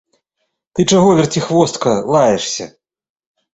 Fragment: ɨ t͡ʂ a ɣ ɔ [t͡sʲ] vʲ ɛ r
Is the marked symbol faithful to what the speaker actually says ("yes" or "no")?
no